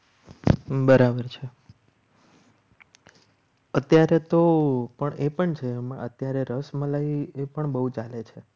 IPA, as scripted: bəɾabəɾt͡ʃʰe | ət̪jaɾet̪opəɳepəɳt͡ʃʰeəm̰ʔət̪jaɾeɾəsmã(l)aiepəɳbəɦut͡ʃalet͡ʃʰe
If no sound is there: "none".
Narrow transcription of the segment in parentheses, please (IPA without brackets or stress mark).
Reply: l